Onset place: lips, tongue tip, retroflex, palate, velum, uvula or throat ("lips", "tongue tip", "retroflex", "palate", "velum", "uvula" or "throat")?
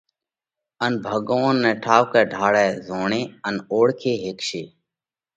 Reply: tongue tip